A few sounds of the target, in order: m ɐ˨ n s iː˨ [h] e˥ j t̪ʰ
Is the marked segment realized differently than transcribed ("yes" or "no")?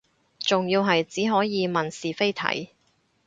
yes